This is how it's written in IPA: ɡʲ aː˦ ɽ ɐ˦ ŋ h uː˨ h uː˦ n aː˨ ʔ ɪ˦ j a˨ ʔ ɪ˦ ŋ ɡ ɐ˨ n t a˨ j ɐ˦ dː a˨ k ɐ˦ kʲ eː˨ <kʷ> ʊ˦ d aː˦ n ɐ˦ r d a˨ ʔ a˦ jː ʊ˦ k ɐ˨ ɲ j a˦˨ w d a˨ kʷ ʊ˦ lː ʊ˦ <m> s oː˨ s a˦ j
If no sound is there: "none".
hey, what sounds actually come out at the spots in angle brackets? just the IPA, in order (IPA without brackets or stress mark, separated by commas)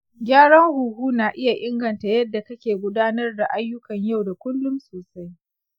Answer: ɡʷ, m